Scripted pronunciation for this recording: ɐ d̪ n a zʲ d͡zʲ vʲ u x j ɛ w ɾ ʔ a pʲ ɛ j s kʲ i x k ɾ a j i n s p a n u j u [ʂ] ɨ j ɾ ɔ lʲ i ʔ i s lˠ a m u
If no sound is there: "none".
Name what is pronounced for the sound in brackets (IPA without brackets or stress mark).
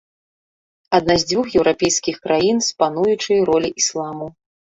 t͡ʂ